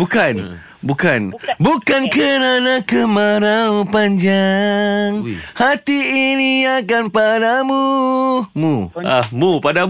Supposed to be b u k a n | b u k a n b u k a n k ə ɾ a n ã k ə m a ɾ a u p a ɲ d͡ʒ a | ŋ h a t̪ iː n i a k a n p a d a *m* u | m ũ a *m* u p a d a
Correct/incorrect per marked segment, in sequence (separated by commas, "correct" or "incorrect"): correct, correct